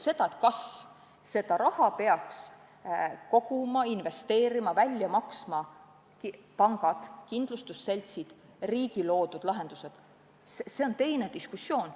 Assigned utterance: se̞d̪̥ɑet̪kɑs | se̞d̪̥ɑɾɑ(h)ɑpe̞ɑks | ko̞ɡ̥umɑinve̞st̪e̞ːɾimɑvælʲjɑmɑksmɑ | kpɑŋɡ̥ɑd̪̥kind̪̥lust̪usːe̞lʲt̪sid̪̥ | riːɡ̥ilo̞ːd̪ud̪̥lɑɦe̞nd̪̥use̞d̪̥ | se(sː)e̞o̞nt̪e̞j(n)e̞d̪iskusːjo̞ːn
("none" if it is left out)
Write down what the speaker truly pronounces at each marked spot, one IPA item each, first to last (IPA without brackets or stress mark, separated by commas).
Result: h, s, n